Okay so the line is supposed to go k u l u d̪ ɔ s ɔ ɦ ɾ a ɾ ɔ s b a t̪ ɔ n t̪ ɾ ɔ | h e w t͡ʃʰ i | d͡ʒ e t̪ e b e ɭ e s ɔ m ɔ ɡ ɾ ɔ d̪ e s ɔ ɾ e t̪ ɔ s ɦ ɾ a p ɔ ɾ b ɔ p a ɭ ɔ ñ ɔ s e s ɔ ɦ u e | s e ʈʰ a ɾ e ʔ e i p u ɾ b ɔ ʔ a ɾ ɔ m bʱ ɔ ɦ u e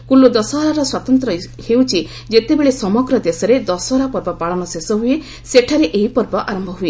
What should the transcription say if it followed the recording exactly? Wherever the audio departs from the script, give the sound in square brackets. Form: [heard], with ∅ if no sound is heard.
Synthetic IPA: k u l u d̪ ɔ s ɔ ɦ ɾ a ɾ ɔ s [w] a t̪ ɔ n t̪ ɾ ɔ | h e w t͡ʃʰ i | d͡ʒ e t̪ e b e ɭ e s ɔ m ɔ ɡ ɾ ɔ d̪ e s ɔ ɾ e [d̪] ɔ s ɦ ɾ a p ɔ ɾ b ɔ p a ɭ ɔ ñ ɔ s e s ɔ ɦ u e | s e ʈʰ a ɾ e ʔ e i p [ɔ] ɾ b ɔ ʔ a ɾ ɔ m bʱ ɔ ɦ u e